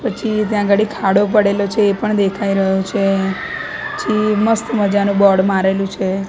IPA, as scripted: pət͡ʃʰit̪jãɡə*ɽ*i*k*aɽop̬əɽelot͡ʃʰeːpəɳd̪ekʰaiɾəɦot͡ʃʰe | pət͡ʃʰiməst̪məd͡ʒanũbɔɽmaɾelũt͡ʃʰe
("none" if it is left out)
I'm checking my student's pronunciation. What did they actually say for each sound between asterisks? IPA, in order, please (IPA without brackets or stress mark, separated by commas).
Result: ɽ, kʰ